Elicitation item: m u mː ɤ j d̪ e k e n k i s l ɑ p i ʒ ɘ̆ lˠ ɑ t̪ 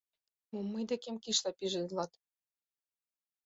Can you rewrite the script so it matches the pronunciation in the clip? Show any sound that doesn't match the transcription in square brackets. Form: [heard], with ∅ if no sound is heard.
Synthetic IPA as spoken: m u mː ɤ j d̪ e k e [m] k i [ʃ] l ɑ p i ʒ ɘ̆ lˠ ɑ t̪